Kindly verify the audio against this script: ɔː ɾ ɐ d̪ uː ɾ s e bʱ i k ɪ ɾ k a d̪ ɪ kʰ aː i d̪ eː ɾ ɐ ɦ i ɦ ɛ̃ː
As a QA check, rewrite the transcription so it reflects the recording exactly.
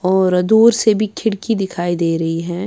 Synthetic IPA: ɔː ɾ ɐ d̪ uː ɾ s e bʱ i kʰ ɪ ɽ k i d̪ ɪ kʰ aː i d̪ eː ɾ ɐ ɦ i ɦ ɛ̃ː